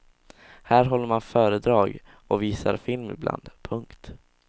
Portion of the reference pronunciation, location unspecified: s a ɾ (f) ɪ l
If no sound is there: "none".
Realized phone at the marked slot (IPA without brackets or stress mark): f